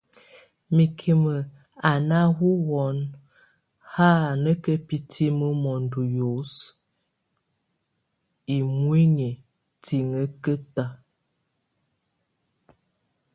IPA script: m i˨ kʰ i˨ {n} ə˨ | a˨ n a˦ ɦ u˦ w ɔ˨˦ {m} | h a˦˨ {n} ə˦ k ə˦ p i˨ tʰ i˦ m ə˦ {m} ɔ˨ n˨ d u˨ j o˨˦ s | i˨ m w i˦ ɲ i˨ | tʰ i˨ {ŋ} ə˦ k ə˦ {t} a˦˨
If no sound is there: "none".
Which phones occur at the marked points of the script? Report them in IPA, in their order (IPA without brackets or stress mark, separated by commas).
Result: m, n, n, m, ŋ, t